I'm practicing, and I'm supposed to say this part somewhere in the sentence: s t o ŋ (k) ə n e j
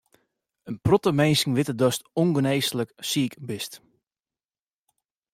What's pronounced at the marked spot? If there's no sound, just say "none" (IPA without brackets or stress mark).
ɡ